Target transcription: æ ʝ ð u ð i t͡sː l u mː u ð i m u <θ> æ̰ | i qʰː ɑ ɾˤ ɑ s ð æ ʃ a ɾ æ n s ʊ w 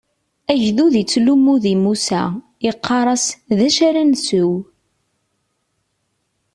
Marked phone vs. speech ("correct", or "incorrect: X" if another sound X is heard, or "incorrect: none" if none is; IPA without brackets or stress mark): incorrect: s